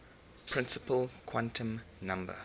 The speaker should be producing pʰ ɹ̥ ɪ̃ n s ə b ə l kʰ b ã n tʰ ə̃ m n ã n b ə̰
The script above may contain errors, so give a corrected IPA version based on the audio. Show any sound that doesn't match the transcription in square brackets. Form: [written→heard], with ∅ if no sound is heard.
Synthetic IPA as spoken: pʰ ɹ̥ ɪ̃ n s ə [b→p] ə l kʰ [b→w] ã n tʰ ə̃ m n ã [n→m] b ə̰